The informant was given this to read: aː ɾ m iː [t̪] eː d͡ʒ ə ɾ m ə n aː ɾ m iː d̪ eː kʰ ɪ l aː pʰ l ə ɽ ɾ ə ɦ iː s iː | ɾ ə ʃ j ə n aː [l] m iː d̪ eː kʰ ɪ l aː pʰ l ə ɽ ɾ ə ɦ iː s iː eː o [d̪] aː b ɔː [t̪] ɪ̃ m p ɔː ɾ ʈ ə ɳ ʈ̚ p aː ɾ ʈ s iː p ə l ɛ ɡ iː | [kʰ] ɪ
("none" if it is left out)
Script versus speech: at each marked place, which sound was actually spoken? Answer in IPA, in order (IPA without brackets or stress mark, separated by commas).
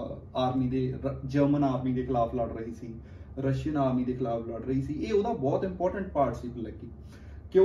d̪, ɾ, d̪, t̪, k